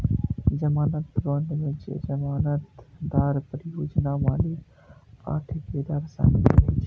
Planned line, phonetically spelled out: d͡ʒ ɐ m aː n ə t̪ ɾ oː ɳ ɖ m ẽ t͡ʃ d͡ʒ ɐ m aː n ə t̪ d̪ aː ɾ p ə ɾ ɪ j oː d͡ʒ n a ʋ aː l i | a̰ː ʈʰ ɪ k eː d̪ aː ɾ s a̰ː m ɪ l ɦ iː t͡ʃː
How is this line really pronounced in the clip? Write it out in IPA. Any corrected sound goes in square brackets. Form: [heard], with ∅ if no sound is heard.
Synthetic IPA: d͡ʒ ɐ m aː n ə t̪ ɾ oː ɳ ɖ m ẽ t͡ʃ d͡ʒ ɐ m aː n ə t̪ d̪ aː ɾ p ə ɾ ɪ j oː d͡ʒ n a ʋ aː l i | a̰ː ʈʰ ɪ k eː d̪ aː ɾ s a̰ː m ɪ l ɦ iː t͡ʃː